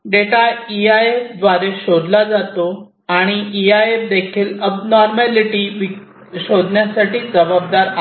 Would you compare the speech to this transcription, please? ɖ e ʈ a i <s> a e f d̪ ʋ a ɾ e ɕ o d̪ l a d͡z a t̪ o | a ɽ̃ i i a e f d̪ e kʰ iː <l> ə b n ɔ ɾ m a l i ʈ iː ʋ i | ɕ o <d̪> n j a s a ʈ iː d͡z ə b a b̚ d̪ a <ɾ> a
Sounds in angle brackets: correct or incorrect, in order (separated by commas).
incorrect, correct, correct, correct